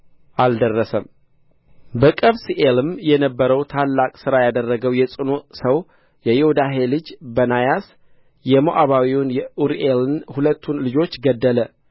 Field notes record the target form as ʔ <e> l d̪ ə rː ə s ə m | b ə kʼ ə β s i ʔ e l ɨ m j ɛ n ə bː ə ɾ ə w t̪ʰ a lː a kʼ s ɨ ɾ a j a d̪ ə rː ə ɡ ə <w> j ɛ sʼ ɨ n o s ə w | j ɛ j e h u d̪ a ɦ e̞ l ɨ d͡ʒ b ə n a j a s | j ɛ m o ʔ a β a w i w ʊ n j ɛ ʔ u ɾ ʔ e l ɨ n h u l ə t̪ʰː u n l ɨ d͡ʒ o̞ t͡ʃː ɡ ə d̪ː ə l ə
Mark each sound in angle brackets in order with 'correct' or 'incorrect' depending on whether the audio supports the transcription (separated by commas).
incorrect, correct